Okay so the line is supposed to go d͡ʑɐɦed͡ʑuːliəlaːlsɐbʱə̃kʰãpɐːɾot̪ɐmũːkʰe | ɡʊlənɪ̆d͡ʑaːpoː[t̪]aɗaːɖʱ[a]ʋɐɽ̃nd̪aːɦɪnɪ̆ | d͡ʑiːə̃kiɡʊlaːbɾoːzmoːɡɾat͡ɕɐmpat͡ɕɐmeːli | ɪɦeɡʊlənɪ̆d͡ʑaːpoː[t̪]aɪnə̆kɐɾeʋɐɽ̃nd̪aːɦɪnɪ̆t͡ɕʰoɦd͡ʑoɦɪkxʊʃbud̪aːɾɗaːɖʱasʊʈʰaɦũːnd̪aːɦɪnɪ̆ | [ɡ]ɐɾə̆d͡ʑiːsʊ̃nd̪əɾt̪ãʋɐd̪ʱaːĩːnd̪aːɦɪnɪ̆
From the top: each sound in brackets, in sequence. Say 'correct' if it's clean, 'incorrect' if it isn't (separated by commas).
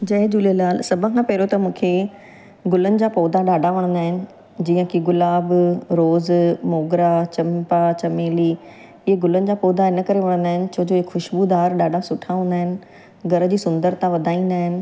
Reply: incorrect, correct, incorrect, correct